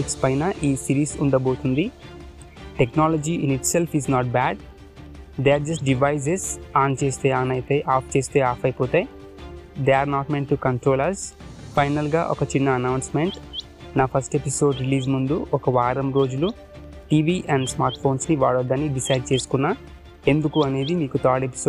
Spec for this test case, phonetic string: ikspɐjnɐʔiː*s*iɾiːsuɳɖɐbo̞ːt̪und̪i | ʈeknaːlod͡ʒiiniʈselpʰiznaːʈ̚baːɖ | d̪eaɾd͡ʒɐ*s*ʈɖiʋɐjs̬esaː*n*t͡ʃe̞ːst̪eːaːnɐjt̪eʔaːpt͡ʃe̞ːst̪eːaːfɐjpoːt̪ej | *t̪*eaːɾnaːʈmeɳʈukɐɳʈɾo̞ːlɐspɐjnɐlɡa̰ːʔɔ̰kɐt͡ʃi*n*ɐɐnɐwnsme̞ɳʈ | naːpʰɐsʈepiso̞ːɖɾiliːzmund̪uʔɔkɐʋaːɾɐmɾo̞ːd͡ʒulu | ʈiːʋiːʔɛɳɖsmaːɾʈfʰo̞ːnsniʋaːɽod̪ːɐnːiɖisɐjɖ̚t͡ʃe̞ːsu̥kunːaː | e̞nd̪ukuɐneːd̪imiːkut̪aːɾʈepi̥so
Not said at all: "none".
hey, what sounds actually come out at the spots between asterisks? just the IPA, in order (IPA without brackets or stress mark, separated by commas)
s, s, n, d̪, nː